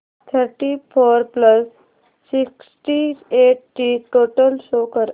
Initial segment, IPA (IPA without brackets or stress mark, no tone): t̪ʰ